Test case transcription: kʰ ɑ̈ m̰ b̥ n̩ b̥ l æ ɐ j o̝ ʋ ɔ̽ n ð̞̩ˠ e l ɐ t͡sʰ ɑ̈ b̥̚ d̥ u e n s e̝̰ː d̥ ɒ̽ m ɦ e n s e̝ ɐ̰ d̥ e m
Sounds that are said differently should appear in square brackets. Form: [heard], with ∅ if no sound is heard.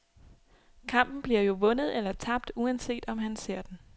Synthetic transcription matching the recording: kʰ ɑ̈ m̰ b̥ n̩ b̥ l [i] ɐ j o̝ ʋ ɔ̽ n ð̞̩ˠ e l ɐ t͡sʰ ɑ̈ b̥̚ d̥ u [æ] n s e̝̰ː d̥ ɒ̽ m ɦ [æ] n s e̝ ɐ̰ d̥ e [n]